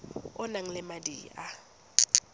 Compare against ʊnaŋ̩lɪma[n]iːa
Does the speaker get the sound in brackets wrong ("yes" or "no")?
yes